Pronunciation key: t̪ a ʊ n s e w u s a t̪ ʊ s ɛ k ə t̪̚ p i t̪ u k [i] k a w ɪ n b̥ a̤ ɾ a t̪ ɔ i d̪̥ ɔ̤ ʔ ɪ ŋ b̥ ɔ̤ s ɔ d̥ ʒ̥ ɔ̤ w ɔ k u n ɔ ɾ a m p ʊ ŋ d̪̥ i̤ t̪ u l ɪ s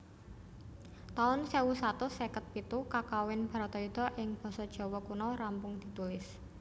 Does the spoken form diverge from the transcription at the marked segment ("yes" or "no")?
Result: yes